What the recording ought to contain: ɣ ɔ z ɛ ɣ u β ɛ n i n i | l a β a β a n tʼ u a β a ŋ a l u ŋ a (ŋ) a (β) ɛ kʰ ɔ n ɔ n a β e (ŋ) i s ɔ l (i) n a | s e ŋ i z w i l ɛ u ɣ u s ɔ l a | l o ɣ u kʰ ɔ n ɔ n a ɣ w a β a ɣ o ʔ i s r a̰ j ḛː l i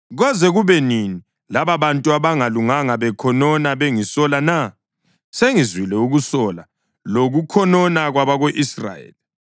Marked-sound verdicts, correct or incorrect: correct, correct, correct, incorrect

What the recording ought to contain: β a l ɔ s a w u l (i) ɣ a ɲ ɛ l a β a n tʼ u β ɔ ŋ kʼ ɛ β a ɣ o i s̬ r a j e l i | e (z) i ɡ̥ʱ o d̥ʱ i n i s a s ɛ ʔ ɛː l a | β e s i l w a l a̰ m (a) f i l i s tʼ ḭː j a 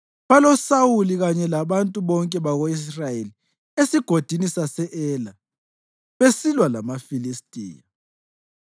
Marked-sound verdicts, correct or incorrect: correct, incorrect, correct

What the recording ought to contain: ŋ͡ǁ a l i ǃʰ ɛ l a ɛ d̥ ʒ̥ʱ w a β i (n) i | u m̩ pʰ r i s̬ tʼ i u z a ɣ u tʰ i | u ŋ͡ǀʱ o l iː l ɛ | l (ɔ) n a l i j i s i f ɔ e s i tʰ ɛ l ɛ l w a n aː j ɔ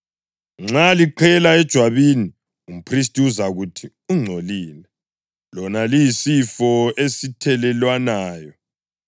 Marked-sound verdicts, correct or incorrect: correct, correct

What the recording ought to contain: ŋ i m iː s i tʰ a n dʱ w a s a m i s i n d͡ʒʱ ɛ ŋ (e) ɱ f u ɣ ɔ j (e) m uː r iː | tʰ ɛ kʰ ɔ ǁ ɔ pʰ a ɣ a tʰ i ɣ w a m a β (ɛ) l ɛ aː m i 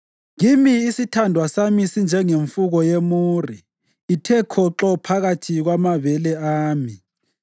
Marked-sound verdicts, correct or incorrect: correct, correct, correct

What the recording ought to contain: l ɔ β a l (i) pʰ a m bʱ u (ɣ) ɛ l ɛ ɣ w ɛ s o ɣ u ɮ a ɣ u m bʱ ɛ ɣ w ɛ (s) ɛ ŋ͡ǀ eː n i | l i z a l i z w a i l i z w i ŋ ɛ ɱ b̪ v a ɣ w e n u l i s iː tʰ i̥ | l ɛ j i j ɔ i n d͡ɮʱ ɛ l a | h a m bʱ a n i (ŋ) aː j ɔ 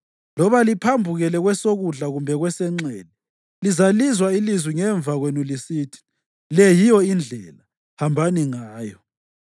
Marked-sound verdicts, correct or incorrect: correct, correct, correct, correct

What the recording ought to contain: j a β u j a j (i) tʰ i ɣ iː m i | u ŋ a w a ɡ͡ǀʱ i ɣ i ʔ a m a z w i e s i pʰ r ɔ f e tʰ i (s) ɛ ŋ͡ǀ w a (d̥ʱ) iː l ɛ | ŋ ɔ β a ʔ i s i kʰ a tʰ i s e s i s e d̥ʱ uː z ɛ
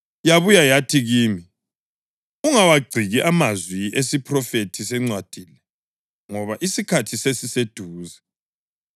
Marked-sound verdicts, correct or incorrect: incorrect, correct, correct

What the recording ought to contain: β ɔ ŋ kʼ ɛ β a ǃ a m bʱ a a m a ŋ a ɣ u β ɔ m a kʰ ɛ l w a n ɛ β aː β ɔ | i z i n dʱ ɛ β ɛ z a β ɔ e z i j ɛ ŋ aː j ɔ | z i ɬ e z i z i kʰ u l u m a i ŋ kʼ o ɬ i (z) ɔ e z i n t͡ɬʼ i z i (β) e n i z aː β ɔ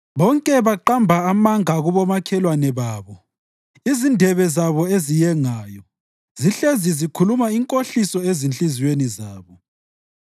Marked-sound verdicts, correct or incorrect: incorrect, incorrect

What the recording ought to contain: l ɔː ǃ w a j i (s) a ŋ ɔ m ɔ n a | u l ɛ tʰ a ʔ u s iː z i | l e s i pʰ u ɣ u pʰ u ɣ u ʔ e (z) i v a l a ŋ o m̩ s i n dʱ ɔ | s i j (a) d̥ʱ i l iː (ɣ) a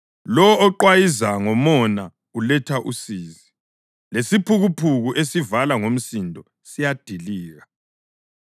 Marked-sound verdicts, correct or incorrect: incorrect, incorrect, correct, correct

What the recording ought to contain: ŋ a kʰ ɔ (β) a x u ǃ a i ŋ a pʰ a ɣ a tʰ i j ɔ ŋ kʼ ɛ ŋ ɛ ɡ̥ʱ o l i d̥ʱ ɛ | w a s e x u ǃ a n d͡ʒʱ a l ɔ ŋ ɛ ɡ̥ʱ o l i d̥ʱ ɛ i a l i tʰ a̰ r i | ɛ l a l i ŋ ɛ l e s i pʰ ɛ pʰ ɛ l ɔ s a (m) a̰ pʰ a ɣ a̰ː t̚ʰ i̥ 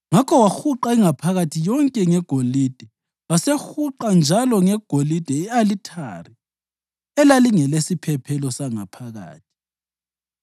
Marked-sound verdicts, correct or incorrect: incorrect, incorrect

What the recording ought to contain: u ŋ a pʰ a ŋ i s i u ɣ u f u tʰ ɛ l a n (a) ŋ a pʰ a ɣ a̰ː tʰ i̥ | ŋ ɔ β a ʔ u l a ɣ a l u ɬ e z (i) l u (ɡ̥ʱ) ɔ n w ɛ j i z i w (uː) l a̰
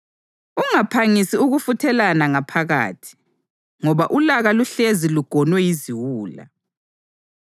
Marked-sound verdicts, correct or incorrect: correct, correct, correct, correct

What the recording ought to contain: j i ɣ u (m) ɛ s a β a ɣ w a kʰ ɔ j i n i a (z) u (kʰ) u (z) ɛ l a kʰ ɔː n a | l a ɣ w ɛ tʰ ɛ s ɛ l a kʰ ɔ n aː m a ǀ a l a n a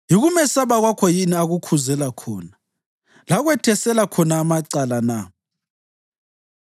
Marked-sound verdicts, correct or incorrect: correct, incorrect, correct, correct

